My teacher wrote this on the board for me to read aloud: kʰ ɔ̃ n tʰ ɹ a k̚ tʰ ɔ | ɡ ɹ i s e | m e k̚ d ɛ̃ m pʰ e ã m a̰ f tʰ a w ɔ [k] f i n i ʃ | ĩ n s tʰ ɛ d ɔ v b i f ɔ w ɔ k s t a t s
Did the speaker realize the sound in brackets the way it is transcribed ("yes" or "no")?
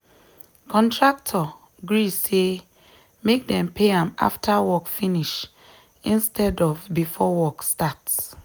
yes